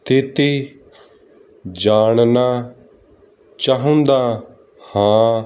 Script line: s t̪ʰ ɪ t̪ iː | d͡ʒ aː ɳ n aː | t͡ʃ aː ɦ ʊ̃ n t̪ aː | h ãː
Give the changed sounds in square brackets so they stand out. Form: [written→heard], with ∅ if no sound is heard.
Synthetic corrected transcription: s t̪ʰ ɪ t̪ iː | d͡ʒ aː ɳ n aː | t͡ʃ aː ɦ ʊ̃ n [t̪→d̪] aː | h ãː